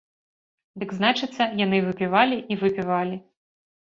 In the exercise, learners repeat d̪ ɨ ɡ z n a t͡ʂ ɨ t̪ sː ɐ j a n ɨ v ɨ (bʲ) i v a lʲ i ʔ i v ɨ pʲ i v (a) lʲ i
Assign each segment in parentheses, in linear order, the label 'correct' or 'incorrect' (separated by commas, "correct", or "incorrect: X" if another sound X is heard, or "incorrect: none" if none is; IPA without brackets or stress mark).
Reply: incorrect: pʲ, correct